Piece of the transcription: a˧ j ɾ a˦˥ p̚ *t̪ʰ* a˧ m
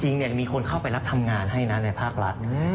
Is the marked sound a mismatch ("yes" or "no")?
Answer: no